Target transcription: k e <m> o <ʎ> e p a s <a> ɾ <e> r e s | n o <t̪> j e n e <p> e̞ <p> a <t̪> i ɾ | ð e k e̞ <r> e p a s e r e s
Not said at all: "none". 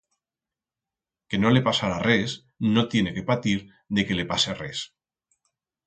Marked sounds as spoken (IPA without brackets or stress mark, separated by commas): n, l, a, a, t̪, k, p, t̪, l